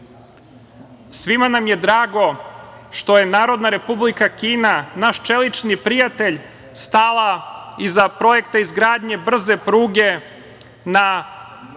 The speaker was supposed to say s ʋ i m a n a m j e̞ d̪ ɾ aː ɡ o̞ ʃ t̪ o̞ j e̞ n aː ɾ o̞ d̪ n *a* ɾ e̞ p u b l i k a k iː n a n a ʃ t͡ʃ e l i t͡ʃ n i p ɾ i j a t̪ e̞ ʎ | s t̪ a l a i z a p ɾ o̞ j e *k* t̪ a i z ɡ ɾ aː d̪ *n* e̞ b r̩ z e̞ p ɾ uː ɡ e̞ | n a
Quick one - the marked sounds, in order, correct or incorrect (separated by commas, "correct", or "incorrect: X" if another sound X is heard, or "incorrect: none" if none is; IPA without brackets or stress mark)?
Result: correct, correct, incorrect: ɲ